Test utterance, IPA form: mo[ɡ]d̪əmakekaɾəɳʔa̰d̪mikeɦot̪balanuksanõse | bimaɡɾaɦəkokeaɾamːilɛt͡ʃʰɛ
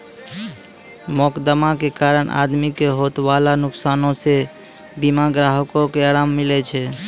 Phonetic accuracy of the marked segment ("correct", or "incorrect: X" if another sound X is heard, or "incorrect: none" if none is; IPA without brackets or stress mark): incorrect: k